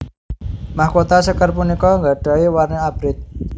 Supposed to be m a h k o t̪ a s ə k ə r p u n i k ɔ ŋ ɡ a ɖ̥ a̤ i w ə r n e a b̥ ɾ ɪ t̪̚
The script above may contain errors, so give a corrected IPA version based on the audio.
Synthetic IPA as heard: m a h k o t̪ a s ə k ə r p u n i k ɔ ŋ ɡ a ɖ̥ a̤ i w a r n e a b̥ ɾ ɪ t̪̚